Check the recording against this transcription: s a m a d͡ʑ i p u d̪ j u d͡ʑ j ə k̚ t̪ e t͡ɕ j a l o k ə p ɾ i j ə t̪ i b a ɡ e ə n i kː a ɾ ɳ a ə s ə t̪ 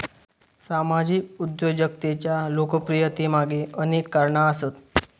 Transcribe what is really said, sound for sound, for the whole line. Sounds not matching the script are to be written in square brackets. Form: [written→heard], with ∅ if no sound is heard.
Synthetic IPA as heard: s a m a d͡ʑ i [p→k] u d̪ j [u→o] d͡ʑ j ə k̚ t̪ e t͡ɕ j a l o k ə p ɾ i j ə t̪ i [b→m] a ɡ e ə n [i→e] kː a ɾ ɳ a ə s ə t̪